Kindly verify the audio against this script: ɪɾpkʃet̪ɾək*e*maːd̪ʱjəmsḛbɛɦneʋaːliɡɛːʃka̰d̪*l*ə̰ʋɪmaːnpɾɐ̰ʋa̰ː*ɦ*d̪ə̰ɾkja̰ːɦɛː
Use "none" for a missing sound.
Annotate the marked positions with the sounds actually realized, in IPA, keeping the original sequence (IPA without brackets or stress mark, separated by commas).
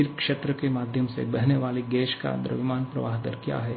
e, ɾ, ɦ